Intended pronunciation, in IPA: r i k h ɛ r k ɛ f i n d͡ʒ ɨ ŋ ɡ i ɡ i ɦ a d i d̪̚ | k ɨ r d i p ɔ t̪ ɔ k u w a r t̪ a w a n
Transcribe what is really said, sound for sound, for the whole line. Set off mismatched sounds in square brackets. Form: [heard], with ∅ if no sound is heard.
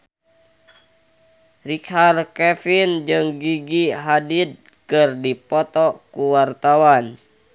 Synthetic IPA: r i k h [a] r k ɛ f i n d͡ʒ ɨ ŋ ɡ i ɡ i ɦ a d i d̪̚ | k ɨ r d i p ɔ t̪ ɔ k u w a r t̪ a w a n